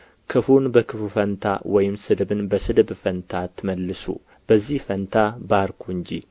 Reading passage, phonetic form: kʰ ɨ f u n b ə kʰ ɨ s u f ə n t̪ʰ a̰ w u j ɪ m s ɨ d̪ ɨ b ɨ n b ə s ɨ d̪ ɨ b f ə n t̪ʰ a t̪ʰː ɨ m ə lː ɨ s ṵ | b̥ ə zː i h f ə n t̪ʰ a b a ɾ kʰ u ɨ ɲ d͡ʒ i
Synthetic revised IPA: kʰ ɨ f u n b ə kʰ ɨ f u f ə n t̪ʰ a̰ w ɔ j ɪ m s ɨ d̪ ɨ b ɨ n b ə s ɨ d̪ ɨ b f ə n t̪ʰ a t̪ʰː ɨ m ə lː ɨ s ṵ | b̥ ə zː i h f ə n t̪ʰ a b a ɾ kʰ u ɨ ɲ d͡ʒ i